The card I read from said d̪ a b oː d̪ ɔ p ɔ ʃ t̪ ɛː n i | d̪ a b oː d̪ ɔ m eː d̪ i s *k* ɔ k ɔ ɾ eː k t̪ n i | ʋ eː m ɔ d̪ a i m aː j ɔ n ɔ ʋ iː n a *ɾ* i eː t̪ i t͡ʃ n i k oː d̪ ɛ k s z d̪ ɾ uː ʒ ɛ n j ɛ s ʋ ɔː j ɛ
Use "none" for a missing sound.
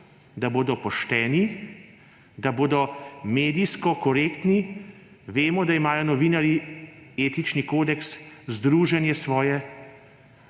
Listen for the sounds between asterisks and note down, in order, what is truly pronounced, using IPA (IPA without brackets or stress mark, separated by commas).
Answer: k, ɾ